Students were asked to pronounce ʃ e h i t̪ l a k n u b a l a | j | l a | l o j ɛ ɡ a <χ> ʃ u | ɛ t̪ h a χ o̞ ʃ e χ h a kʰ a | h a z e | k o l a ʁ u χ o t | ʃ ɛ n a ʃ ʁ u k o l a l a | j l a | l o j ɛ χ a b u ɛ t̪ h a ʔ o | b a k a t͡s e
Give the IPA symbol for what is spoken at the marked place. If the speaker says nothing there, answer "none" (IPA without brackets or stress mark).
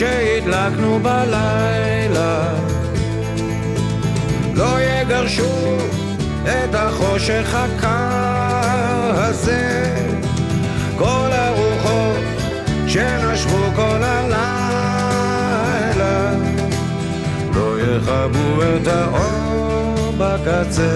ʁ